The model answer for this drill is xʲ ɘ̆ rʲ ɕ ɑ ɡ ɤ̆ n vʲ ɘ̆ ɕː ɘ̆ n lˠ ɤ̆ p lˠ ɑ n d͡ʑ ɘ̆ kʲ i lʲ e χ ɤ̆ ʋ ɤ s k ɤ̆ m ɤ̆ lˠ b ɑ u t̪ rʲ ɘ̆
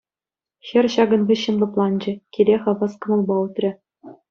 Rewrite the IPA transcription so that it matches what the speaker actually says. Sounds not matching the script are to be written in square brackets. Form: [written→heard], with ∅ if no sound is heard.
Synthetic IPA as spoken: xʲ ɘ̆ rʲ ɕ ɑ ɡ ɤ̆ n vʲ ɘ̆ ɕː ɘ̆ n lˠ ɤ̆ p lˠ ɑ n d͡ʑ ɘ̆ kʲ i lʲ e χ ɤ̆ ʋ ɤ s k ɤ̆ m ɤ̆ lˠ b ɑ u t̪ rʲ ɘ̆